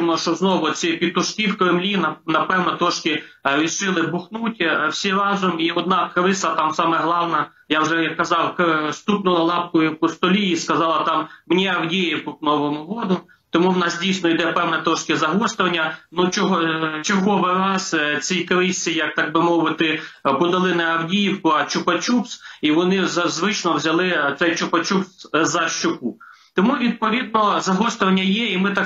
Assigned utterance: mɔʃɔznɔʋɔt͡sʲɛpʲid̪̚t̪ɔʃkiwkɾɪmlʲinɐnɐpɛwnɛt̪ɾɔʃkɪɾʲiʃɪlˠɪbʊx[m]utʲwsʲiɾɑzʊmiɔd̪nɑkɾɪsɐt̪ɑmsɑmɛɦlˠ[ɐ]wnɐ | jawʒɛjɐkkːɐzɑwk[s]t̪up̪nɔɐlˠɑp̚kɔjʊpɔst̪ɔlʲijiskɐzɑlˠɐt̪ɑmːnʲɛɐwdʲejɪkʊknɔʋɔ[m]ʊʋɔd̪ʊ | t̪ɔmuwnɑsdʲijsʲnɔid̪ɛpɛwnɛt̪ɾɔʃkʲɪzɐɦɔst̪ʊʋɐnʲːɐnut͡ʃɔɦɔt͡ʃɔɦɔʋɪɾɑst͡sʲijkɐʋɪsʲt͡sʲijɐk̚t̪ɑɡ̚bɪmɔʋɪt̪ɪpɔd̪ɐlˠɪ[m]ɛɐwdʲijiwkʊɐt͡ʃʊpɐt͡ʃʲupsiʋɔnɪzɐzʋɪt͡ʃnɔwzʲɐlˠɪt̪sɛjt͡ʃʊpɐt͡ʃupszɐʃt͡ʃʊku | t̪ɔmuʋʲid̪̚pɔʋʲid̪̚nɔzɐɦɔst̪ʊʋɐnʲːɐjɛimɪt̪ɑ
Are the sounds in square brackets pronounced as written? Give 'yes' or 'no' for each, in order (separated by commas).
no, no, yes, yes, no